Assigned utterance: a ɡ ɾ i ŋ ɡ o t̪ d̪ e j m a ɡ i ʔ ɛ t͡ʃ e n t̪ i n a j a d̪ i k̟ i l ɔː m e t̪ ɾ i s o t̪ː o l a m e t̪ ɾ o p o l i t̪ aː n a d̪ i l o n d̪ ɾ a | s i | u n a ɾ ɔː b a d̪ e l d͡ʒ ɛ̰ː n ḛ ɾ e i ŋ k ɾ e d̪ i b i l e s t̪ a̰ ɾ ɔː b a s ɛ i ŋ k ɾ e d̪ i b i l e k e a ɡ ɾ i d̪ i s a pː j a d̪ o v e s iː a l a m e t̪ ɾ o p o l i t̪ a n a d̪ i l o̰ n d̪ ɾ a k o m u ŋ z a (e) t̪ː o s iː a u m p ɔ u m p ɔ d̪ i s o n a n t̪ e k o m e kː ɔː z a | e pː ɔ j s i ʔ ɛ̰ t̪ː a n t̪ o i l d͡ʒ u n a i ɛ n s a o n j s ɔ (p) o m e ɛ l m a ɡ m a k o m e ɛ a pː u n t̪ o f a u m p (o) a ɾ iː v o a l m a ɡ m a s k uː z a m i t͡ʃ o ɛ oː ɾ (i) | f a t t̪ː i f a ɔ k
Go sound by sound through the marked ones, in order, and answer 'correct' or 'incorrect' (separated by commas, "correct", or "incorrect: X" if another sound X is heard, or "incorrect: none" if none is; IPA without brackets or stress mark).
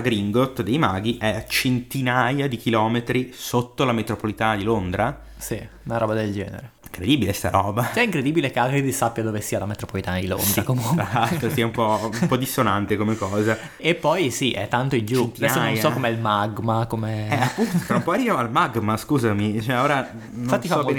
incorrect: a, incorrect: k, incorrect: ɔ, incorrect: a